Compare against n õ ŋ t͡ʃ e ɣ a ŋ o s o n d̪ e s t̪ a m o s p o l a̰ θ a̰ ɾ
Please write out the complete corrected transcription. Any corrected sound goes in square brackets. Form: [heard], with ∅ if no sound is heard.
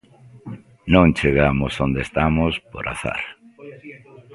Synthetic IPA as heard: n õ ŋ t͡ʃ e ɣ a [m] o s o n d̪ e s t̪ a m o s p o [ɾ] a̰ θ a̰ ɾ